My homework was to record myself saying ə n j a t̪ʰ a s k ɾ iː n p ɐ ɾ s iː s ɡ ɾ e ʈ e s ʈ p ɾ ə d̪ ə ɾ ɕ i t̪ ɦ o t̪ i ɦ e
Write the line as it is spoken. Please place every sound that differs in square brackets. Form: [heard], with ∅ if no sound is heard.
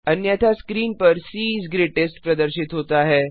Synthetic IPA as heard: ə n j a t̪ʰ a s k ɾ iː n p [ə] ɾ s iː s ɡ ɾ e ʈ e s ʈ p ɾ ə d̪ ə ɾ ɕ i t̪ ɦ o t̪ [a] ɦ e